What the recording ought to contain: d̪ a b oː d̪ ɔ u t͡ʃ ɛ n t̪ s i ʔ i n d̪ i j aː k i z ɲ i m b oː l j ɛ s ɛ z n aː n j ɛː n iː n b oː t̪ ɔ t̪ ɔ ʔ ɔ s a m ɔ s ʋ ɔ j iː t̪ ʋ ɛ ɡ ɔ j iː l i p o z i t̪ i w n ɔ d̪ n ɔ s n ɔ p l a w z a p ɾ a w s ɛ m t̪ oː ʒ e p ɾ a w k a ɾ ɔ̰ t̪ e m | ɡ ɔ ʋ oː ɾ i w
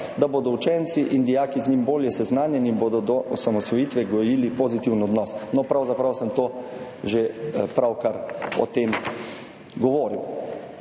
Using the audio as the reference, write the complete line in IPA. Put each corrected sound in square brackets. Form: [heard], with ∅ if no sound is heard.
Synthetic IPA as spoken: d̪ a b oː d̪ ɔ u t͡ʃ ɛ n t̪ s i ʔ i n d̪ i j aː k i z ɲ i m b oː l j ɛ s ɛ z n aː n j [ɛ] n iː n b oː [d̪] ɔ [d̪] ɔ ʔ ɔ s a m ɔ s ʋ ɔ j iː t̪ ʋ ɛ ɡ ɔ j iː l i p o z i t̪ i w n ɔ d̪ n ɔ s n ɔ p [ɾ] a w z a p ɾ a w s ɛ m t̪ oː ʒ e p ɾ a w k a ɾ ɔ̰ t̪ e m | ɡ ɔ ʋ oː ɾ i w